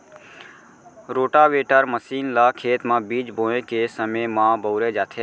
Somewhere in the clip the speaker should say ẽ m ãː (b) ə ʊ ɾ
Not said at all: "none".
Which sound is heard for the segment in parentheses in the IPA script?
b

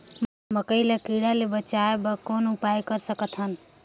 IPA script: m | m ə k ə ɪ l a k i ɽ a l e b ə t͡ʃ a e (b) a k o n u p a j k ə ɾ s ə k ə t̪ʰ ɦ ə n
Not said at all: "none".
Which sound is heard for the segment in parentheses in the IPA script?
b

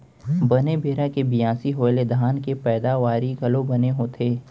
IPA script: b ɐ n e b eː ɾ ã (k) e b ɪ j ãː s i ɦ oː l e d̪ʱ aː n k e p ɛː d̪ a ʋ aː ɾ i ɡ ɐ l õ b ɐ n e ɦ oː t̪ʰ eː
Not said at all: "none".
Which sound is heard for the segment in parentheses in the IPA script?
k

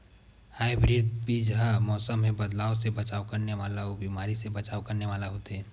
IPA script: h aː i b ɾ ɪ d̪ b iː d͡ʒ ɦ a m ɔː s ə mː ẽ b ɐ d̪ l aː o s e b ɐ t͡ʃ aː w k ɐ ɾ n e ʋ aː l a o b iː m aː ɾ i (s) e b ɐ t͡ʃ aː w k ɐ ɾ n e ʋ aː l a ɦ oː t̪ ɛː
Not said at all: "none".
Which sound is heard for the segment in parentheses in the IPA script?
s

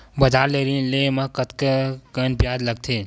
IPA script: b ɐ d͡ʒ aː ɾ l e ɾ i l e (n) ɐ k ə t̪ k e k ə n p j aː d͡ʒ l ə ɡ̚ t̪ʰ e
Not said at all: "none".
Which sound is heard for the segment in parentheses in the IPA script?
m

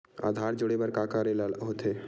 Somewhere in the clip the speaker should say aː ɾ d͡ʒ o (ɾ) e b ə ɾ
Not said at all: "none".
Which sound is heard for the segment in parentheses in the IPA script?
ɽ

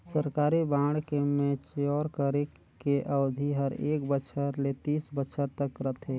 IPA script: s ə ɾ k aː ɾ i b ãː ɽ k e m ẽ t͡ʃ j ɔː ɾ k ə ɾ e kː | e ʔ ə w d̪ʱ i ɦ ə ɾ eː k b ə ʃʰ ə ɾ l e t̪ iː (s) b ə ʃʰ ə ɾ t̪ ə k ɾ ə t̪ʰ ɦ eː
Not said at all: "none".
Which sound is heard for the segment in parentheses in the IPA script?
s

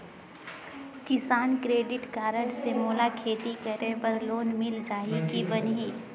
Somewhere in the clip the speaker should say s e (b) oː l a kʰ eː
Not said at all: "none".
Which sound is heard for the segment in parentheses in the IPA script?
m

